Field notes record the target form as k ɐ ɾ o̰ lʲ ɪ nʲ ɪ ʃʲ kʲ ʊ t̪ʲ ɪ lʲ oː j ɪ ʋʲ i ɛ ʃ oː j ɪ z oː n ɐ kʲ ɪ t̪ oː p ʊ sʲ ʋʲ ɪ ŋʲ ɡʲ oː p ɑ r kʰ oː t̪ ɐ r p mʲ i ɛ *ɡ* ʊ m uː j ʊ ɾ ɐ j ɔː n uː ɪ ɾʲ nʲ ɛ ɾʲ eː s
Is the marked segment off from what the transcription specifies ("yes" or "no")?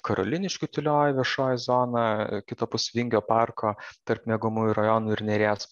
no